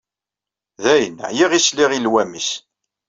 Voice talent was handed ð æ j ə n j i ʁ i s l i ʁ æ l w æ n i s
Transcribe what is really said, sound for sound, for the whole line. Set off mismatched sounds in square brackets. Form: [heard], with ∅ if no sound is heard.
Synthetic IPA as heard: ð æ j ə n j i ʁ i s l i ʁ [i] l w æ [m] i s